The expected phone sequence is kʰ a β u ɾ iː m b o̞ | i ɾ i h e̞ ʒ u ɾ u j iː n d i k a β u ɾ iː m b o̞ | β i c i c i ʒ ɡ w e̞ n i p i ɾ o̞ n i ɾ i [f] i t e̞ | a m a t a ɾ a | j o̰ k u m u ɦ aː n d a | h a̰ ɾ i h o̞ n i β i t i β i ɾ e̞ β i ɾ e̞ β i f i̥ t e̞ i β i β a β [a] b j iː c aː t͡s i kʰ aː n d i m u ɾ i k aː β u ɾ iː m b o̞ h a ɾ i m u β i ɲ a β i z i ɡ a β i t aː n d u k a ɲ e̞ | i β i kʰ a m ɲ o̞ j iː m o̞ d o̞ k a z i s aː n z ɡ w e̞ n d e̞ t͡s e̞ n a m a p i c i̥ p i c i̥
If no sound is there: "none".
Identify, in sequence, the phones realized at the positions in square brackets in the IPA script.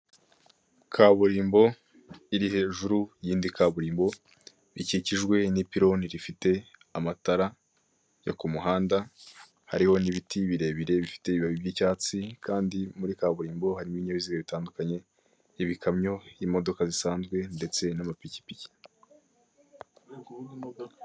f, i

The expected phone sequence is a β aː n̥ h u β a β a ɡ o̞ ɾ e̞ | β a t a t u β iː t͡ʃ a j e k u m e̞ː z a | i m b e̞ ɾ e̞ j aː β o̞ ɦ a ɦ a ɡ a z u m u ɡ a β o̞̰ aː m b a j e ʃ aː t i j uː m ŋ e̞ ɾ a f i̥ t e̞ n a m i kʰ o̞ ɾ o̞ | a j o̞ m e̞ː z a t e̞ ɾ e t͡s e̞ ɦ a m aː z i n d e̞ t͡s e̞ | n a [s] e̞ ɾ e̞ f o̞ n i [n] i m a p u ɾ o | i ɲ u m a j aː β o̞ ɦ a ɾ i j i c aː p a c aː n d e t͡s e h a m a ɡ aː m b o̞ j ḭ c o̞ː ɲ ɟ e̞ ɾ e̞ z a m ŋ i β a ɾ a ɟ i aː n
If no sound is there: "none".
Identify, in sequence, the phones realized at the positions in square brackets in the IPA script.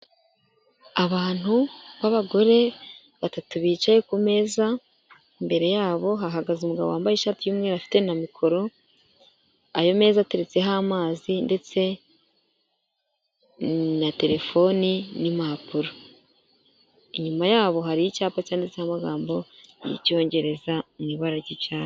t, n

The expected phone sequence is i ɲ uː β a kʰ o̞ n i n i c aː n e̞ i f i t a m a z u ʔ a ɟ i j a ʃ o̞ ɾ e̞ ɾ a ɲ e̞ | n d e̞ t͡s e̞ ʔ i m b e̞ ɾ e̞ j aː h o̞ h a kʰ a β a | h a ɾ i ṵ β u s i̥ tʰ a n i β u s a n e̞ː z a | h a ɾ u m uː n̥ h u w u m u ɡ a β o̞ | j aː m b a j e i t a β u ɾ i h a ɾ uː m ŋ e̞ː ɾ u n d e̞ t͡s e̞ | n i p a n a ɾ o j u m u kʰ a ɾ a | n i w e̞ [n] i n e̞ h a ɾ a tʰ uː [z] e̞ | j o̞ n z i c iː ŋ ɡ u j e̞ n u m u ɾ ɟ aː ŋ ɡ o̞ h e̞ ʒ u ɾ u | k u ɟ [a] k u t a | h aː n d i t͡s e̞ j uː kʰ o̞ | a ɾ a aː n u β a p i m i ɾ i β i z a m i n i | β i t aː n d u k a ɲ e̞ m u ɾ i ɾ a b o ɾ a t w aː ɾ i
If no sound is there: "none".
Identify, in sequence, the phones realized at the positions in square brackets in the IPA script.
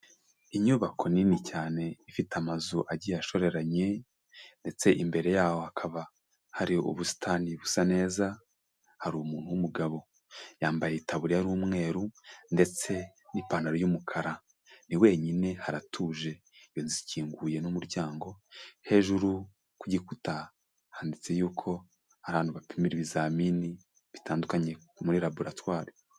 ɲ, ʒ, i

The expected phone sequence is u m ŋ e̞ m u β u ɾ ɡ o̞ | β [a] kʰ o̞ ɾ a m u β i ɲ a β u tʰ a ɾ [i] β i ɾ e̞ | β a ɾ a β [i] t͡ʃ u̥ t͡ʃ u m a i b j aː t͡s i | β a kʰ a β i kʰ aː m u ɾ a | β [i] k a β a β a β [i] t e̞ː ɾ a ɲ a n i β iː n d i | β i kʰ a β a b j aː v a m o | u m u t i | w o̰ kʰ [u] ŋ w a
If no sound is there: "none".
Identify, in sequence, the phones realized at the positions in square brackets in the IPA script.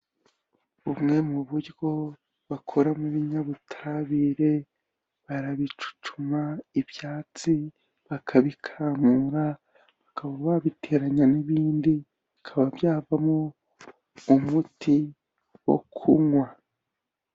a, a, i, a, i, u

